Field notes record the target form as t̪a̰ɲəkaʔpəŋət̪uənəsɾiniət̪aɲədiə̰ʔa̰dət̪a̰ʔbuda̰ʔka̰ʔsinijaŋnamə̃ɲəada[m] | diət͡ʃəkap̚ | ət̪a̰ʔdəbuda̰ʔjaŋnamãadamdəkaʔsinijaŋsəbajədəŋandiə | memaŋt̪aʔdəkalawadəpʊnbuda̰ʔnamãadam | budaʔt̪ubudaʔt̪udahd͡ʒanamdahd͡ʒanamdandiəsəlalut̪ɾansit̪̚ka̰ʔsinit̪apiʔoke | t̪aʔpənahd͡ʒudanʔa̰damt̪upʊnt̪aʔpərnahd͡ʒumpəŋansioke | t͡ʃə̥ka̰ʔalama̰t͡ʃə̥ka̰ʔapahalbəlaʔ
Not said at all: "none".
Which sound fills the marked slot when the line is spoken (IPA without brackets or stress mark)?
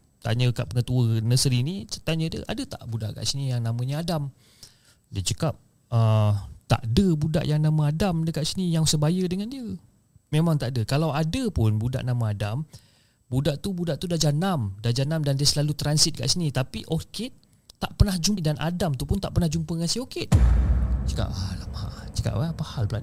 m